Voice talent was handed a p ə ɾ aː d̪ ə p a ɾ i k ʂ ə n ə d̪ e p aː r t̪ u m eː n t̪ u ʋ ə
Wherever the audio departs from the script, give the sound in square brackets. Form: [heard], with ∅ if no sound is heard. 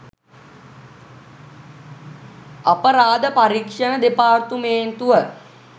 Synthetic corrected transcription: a p ə ɾ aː d̪ ə p a ɾ i k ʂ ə n ə d̪ e p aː r t̪ u m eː n t̪ u ʋ ə